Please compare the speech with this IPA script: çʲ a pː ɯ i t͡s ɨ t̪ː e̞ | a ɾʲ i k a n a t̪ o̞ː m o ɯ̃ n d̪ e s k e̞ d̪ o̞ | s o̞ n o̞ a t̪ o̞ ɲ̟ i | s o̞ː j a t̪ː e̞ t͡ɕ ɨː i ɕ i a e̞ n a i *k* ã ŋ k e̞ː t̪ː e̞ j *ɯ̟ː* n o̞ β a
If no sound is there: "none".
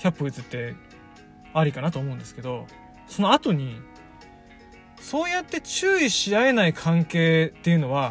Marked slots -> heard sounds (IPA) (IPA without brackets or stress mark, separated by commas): kʰ, ɯ̟